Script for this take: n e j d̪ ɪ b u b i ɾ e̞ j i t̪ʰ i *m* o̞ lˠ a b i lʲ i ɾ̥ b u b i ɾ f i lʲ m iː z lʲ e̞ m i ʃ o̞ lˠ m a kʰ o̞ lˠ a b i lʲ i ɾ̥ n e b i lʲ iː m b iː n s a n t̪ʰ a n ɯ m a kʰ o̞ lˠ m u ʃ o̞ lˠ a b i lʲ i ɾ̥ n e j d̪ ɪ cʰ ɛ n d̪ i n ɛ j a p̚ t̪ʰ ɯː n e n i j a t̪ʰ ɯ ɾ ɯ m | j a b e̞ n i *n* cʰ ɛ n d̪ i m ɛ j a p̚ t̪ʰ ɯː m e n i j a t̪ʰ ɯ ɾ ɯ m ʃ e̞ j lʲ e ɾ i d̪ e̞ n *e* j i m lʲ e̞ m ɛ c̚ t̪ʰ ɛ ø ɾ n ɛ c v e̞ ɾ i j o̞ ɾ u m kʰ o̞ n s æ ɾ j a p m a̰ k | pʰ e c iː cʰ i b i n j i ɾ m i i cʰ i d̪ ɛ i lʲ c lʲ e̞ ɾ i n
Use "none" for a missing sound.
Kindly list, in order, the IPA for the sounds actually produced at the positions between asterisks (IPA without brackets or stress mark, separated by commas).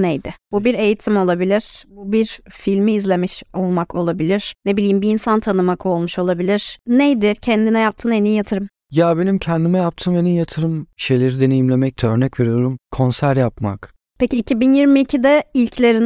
m, m, e